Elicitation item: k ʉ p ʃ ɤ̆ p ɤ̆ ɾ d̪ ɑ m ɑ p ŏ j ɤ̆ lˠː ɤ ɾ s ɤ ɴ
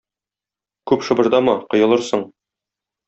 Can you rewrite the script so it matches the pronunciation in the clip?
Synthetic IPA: k ʉ p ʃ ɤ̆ b ɤ̆ ɾ d̪ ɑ m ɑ q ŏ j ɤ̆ lˠ ɤ ɾ s ɤ ɴ

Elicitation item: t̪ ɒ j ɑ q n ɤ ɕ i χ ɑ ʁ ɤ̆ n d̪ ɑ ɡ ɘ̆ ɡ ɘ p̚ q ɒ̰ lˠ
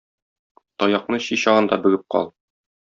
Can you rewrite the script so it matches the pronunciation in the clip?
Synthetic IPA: t̪ ɒ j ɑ q n ɤ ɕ i ɕ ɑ ʁ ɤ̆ n d̪ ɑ b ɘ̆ ɡ ɘ p̚ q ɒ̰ lˠ

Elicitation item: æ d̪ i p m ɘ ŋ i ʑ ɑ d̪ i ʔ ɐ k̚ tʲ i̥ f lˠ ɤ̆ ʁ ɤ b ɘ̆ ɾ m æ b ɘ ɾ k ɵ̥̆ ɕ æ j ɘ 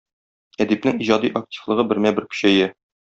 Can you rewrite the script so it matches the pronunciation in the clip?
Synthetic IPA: æ d̪ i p n ɘ ŋ i ʑ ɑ d̪ i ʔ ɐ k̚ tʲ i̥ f lˠ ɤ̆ ʁ ɤ b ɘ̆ ɾ m æ b ɘ ɾ k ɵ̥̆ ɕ æ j ɘ

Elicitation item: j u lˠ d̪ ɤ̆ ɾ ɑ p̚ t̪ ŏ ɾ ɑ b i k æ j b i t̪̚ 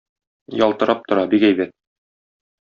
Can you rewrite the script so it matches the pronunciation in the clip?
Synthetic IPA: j ɒ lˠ t̪ ɤ̆ ɾ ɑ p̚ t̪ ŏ ɾ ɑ b i k æ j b æ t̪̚

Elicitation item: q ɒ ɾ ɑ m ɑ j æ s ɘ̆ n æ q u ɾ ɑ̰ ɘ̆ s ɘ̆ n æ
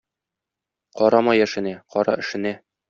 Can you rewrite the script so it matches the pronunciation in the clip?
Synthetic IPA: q ɒ ɾ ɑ m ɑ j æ ʃ ɘ̆ n æ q ɒ ɾ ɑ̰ ɘ̆ ʃ ɘ̆ n æ

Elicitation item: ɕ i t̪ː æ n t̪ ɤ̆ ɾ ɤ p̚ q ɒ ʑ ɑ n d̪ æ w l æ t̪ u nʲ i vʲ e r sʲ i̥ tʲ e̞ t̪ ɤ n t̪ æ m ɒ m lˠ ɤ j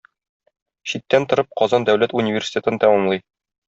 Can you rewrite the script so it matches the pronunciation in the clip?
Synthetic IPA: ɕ i t̪ː æ n t̪ ŏ ɾ ɤ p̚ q ɒ z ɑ n d̪ æ w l æ t̪ u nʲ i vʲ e r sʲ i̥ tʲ e̞ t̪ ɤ n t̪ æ m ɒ m lˠ ɤ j

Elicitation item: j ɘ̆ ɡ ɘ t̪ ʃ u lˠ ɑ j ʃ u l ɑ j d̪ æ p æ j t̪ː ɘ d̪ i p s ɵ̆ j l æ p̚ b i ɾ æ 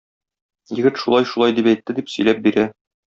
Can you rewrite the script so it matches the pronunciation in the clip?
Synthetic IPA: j ɘ̆ ɡ ɘ t̪ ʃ u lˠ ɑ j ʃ u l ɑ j d̪ i p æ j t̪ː ɘ d̪ i p s ɵ̆ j l æ p̚ b i ɾ æ

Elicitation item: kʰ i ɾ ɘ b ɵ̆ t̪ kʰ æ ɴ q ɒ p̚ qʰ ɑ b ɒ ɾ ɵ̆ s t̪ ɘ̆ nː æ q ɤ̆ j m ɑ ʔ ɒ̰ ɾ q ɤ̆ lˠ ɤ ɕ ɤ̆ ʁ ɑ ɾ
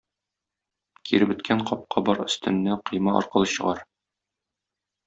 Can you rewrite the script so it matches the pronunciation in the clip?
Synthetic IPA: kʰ i ɾ ɘ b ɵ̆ t̪ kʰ æ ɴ q ɒ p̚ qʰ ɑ b ɒ ɾ ɵ̆ s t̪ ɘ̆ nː æ q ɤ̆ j m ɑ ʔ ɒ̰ ɾ q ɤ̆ lˠ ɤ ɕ ɤ̆ ʁ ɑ ɾ

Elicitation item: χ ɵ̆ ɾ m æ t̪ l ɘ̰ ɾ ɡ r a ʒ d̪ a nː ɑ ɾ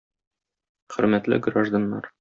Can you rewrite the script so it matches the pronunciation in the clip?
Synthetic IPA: χ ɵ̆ ɾ m æ t̪ l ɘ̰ ɡ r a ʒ d̪ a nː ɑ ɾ

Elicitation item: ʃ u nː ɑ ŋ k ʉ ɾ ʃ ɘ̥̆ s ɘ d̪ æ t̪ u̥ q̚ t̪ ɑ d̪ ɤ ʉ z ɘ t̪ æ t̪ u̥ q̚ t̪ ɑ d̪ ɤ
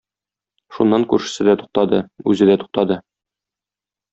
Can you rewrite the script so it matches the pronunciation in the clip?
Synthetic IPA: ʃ u nː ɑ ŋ k ʉ ɾ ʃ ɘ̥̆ s ɘ d̪ æ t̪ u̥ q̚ t̪ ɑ d̪ ɤ ʉ z ɘ d̪ æ t̪ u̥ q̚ t̪ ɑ d̪ ɤ

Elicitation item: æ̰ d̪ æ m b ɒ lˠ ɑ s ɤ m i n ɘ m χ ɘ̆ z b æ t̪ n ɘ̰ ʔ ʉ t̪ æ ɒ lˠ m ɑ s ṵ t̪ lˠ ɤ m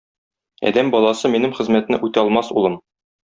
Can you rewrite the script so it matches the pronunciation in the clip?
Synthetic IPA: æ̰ d̪ æ m b ɒ lˠ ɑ s ɤ m i n ɘ m χ ɘ̆ z m æ t̪ n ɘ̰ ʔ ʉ t̪ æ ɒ lˠ m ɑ s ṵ lˠ ɤ m

